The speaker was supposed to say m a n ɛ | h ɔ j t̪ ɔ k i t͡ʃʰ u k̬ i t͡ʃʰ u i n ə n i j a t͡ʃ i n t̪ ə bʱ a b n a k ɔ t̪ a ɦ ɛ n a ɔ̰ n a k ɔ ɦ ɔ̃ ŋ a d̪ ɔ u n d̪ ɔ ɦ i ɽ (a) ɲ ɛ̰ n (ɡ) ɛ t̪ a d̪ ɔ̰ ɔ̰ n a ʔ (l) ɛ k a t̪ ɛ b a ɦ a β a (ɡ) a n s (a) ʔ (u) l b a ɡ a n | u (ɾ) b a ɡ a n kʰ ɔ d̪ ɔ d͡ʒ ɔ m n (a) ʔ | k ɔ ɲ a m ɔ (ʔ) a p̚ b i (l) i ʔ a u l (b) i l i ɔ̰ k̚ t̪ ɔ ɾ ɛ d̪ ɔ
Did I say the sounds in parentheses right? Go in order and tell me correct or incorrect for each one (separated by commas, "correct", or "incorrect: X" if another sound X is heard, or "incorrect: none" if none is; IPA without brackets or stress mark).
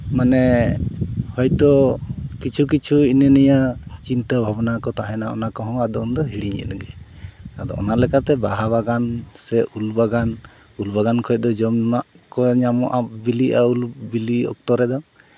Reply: incorrect: i, correct, correct, correct, incorrect: ɛ, correct, incorrect: l, correct, correct, correct, correct